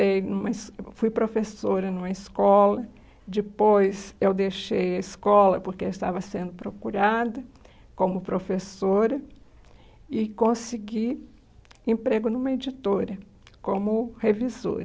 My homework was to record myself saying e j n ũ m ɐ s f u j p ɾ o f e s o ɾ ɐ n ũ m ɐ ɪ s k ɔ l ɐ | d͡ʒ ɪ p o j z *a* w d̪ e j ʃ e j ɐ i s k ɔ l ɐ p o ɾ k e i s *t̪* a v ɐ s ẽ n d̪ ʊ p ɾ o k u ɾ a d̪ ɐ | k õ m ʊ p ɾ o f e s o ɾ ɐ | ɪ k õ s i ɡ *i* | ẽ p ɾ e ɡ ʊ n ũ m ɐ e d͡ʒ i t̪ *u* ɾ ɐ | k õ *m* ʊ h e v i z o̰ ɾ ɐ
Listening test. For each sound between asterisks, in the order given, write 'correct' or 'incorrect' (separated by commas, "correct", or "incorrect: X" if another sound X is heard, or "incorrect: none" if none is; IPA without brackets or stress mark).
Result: incorrect: e, correct, correct, incorrect: o, correct